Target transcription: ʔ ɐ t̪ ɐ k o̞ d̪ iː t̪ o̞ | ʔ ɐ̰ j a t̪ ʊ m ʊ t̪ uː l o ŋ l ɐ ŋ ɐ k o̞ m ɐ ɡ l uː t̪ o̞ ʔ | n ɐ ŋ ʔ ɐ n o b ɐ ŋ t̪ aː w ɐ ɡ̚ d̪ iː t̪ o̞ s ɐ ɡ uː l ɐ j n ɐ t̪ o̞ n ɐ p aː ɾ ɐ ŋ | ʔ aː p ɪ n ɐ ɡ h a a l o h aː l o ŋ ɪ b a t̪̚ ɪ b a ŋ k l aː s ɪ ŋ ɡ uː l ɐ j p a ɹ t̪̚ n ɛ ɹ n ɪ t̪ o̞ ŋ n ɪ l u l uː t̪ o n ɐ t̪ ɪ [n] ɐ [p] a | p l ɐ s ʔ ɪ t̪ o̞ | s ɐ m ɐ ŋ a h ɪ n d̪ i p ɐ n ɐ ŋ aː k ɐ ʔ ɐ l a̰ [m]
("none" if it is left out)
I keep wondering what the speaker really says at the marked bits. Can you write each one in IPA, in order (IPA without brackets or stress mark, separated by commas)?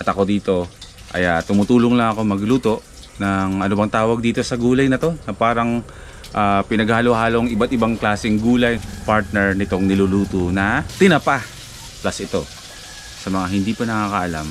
n, p, m